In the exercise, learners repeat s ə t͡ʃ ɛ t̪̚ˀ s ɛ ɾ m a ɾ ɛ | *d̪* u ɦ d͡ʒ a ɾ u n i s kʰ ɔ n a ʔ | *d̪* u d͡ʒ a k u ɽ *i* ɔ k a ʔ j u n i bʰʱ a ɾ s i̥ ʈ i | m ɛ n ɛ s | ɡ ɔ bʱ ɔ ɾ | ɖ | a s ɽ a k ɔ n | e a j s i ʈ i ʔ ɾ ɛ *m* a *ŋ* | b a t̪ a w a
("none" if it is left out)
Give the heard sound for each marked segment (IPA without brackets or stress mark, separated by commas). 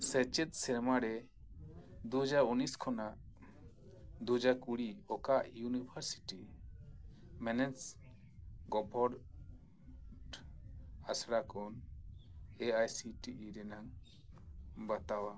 d̪, d̪, i, n, ŋ